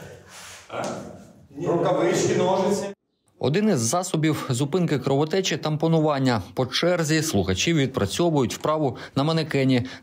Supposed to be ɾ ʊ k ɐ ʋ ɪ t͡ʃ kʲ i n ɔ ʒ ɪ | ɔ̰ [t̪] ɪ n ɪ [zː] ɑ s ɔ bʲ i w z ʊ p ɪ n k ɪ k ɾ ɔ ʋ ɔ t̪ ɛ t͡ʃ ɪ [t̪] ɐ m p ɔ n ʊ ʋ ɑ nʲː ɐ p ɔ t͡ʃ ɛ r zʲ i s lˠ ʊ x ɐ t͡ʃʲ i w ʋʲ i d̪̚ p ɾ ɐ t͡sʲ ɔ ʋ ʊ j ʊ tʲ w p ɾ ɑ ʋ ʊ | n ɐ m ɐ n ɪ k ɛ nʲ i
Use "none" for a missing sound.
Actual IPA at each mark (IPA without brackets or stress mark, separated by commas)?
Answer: d̪, zː, t̪